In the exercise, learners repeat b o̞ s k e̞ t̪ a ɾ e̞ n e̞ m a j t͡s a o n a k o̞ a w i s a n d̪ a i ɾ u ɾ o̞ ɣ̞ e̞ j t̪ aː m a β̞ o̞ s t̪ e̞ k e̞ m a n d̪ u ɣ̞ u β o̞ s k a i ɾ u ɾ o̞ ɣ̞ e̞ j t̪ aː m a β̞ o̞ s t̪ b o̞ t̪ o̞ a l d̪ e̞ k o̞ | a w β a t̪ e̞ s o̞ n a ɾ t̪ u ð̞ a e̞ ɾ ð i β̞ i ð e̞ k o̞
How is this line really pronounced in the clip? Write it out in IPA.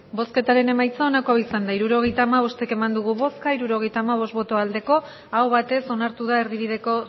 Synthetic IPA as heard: b o̞ s k e̞ t̪ a ɾ e̞ n e̞ m a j t͡s a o n a k o̞ a w i s a n d̪ a i ɾ u ɾ o̞ ɣ̞ e̞ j t̪ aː m a β̞ o̞ s t̪ e̞ k e̞ m a n d̪ u ɣ̞ u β o̞ s k a i ɾ u ɾ o̞ ɣ̞ e̞ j t̪ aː m a β̞ o̞ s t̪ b o̞ t̪ o̞ a l d̪ e̞ k o̞ | a w β a t̪ e̞ s o̞ n a ɾ t̪ u ð̞ a e̞ ɾ ð i β̞ i ð e̞ k o̞